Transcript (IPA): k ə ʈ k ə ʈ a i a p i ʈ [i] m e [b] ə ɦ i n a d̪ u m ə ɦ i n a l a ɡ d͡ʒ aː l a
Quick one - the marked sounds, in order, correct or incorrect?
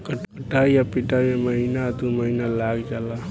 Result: incorrect: a, incorrect: m

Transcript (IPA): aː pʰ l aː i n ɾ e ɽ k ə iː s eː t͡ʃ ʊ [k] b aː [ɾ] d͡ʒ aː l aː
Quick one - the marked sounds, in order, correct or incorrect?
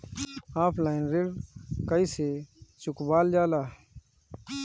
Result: correct, incorrect: l

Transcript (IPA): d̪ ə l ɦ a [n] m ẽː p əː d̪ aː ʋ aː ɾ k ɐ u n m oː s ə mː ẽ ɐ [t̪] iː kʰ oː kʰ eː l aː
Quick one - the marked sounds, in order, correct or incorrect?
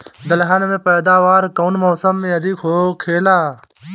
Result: correct, incorrect: d̪

